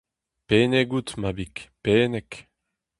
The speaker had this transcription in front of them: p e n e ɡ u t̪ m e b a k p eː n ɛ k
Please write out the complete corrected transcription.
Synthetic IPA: p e n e ɡ u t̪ m a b i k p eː n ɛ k